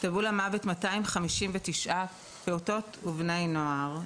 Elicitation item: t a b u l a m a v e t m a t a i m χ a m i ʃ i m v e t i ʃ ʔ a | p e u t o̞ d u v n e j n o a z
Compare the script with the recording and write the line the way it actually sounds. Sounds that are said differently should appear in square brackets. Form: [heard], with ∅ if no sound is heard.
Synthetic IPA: t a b u l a m a v e t m a t a i m χ a m i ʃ i m v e t i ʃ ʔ a | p e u t o̞ [t] u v n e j n o a [ʁ]